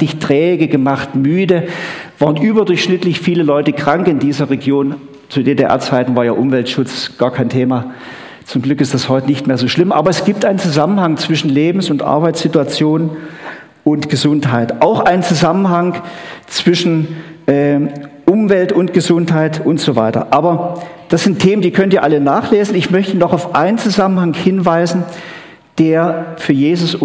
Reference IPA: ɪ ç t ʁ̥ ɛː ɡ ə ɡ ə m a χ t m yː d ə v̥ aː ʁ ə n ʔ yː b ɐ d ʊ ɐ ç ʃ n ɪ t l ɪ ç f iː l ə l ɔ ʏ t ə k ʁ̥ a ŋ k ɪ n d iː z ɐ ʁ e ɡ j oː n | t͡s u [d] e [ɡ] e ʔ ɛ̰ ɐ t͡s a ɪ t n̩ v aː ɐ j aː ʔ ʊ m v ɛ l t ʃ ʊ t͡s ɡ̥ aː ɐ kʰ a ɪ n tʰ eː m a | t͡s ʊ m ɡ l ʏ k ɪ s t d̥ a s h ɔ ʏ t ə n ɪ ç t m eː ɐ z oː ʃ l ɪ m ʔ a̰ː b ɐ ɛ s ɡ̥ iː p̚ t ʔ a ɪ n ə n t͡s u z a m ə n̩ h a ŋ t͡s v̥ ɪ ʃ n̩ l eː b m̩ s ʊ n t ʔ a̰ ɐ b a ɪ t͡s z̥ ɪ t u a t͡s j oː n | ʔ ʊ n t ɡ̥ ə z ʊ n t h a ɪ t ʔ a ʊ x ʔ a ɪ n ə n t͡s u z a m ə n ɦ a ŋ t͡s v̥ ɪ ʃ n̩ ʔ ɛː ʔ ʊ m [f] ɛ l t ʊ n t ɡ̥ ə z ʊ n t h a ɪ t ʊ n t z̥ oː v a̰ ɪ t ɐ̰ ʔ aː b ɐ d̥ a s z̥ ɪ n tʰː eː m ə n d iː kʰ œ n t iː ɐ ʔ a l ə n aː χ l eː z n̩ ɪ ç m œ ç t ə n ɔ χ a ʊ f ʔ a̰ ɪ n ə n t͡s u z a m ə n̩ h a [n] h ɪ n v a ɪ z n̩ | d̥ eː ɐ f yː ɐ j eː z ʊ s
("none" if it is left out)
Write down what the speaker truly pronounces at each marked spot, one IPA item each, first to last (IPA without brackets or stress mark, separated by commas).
d, d, v, ŋ